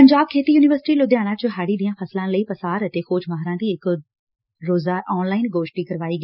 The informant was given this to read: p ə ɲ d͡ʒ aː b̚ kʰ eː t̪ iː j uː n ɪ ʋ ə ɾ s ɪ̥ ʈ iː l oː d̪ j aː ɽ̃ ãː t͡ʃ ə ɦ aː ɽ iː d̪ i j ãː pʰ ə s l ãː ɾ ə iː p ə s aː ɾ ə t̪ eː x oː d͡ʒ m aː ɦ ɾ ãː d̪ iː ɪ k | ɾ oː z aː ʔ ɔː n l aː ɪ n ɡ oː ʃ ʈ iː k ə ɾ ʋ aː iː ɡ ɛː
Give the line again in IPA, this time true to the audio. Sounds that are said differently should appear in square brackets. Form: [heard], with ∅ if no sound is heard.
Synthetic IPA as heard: p ə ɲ d͡ʒ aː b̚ kʰ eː t̪ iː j uː n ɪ ʋ ə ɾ s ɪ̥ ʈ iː l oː d̪ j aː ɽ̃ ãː t͡ʃ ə ɦ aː ɽ iː d̪ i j ãː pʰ ə s l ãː [l] ə iː p ə s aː ɾ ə t̪ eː x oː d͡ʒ m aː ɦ ɾ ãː d̪ iː ɪ k | ɾ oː z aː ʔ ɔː n l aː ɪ n ɡ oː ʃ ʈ iː k ə ɾ ʋ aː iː ɡ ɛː